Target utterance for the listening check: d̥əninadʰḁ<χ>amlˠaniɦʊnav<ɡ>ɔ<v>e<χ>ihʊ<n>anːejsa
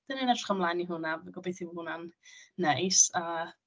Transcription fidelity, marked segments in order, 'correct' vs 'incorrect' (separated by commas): correct, correct, incorrect, incorrect, correct